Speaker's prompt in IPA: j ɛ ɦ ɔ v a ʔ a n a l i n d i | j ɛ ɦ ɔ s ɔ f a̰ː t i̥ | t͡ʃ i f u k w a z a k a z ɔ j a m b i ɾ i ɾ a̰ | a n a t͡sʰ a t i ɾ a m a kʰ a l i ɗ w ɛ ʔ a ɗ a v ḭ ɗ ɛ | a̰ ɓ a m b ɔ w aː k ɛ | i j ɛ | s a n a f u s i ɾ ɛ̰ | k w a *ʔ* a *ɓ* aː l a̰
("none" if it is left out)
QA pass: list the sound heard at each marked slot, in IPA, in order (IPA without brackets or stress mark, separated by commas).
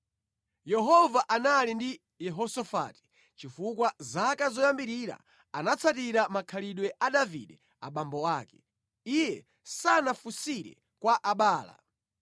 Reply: ʔ, ɓ